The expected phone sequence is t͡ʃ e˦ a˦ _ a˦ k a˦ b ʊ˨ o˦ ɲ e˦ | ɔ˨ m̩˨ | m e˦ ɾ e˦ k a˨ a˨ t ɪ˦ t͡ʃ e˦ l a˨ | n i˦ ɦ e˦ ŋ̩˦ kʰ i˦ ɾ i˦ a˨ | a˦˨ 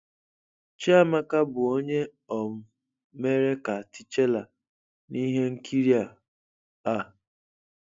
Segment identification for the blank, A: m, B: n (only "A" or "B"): A